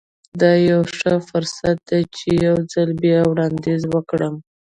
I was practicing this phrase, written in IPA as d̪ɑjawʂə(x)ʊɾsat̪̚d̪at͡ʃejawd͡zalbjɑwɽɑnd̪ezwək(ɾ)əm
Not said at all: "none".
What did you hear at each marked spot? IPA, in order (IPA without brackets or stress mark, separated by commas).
f, ɽ